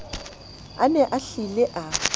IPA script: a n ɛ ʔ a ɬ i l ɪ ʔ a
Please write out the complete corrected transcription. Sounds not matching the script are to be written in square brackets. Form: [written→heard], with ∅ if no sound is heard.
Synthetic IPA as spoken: a n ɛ ʔ a ɬ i l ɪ ʔ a